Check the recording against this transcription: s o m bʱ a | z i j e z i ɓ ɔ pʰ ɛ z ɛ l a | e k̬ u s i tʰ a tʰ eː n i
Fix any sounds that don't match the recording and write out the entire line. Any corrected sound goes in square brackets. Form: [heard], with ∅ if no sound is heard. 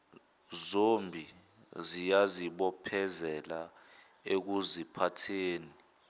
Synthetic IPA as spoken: [z] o m bʱ [i] | z i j [a] z i ɓ ɔ pʰ ɛ z ɛ l a | e k̬ u [z] i [pʰ] a tʰ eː n i

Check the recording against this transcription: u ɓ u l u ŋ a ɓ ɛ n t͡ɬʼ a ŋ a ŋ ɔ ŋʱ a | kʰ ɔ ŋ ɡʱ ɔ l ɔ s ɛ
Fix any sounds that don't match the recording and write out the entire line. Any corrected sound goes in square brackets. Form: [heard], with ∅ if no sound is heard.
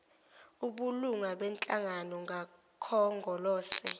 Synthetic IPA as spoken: u ɓ u l u ŋ a ɓ ɛ n t͡ɬʼ a ŋ a [n] ɔ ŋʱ a | kʰ ɔ ŋ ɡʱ ɔ l [ɔː] s ɛ

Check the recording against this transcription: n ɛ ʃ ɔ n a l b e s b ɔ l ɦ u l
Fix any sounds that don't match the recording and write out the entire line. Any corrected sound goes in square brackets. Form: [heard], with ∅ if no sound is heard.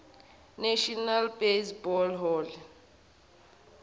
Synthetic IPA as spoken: n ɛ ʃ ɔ n a l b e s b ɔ l ɦ [ɔ] l

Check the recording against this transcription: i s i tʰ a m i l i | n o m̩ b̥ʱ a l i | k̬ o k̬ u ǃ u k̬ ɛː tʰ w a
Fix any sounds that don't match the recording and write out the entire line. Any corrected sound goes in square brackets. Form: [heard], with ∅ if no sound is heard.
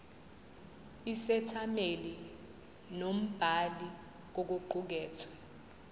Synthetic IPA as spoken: i s [ɛ] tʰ a m [e] l i | n o m̩ b̥ʱ a l i | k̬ o k̬ u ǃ u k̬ ɛː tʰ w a

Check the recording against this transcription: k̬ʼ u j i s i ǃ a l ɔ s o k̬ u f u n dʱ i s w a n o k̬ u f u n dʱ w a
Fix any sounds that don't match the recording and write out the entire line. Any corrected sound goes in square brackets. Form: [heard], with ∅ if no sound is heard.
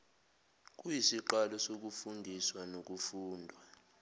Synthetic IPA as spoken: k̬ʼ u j i s i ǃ a l ɔ s o k̬ u f u n dʱ i s w a n o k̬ u f [uː] n dʱ w a

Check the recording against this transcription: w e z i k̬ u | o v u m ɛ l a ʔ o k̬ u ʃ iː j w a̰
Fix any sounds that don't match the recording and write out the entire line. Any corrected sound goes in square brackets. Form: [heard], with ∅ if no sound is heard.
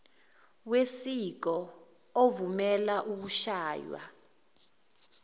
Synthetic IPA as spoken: w e [s] i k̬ [ɔ] | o v u m ɛ l a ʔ [u] k̬ u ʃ [aː] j w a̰

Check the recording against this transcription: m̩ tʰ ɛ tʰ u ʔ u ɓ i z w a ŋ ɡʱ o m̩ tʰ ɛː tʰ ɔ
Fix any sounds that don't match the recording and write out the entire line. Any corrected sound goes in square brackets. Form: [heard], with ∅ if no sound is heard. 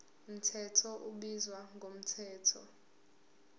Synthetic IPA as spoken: m̩ tʰ ɛ tʰ [ɔ] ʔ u ɓ i z w a ŋ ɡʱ o m̩ tʰ ɛː tʰ ɔ

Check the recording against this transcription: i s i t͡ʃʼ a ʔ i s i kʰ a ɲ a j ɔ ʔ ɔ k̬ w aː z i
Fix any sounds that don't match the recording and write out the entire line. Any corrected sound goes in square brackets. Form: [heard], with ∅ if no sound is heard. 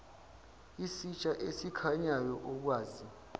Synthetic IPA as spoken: i s i t͡ʃʼ a ʔ [e] s i kʰ a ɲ a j ɔ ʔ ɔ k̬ w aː z i

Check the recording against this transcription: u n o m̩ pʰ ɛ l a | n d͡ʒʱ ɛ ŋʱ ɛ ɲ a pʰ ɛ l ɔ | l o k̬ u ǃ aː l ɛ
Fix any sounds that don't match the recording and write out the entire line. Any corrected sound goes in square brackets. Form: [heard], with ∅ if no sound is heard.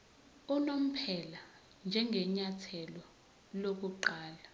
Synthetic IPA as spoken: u n o m̩ pʰ ɛ l a | n d͡ʒʱ ɛ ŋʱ ɛ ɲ a [tʰ] ɛ l ɔ | l o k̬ u ǃ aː l [a]

